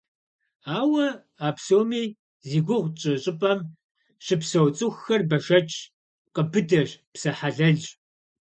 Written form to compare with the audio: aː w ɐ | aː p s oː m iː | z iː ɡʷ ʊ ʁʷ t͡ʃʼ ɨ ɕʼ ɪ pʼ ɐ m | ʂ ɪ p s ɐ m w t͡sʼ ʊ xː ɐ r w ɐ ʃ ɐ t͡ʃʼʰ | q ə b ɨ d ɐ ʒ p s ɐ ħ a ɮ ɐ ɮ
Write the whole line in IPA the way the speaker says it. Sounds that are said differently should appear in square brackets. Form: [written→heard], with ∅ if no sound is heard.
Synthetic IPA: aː w ɐ | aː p s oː m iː | z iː ɡʷ ʊ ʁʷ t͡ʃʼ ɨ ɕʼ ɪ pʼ ɐ m | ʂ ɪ p s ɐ [m→∅] w t͡sʼ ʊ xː ɐ r [w→b] ɐ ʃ ɐ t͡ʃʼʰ | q ə b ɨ d ɐ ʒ p s ɐ ħ a ɮ ɐ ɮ